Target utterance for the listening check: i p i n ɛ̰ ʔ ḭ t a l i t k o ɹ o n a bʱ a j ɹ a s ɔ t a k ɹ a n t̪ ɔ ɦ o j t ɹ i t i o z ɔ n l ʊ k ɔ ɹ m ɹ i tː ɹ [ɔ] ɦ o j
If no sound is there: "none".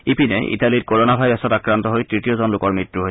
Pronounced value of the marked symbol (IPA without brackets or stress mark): u